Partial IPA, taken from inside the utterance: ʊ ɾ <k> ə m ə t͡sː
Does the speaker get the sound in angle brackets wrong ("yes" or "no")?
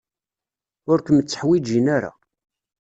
no